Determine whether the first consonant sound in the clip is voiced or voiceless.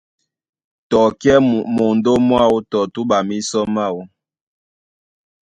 voiceless